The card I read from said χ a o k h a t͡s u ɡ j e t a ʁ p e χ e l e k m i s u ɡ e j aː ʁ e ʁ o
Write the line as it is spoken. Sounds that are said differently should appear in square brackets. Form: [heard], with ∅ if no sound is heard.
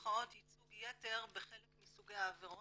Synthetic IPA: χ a o [t] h [i] t͡s u ɡ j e t [e] ʁ [b] e χ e l e k m i s u ɡ e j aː [v] e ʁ o